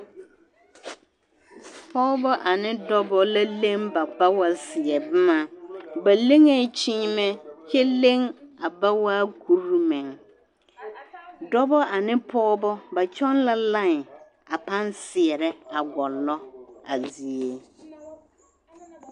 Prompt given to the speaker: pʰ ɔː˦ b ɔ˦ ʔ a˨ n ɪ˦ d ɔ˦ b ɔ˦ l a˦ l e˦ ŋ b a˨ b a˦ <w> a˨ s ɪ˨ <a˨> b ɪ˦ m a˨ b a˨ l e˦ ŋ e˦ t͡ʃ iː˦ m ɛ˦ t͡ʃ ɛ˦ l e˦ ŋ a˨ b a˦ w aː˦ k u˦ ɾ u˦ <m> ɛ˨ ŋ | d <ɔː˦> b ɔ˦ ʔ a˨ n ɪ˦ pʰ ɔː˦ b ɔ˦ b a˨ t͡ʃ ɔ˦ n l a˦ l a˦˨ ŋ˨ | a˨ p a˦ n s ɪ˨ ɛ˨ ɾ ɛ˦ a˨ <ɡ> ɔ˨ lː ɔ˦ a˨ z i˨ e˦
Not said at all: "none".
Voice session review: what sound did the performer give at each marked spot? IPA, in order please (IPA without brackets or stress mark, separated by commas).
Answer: w, ɛ˨, m, ɔ˦, ɡ